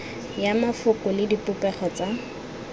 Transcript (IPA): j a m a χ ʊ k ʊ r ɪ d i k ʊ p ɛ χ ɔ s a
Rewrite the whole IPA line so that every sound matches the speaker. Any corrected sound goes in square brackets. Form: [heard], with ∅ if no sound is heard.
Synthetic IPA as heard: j a m a [f] ʊ k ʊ [l] ɪ d i [p] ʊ p ɛ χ ɔ [t͡s] a